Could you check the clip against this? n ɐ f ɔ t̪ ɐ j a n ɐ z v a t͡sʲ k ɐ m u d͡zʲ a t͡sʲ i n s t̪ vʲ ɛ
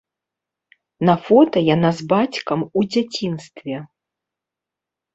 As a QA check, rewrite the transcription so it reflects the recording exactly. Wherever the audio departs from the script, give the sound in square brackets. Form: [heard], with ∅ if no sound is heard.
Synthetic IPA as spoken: n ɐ f ɔ t̪ ɐ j a n [a] z [b] a t͡sʲ k ɐ m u d͡zʲ a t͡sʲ i n s t̪ vʲ ɛ